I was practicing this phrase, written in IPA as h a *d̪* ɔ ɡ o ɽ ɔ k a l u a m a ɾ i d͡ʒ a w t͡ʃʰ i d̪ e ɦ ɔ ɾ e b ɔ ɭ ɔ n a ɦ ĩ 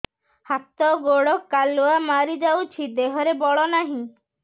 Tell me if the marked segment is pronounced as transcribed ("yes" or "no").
no